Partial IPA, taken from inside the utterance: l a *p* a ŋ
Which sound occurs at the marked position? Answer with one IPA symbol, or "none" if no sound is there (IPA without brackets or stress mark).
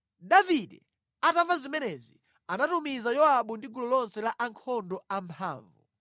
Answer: ʔ